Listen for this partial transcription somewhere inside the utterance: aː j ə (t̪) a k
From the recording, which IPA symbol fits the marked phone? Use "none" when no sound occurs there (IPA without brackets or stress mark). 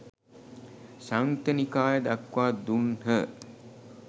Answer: d̪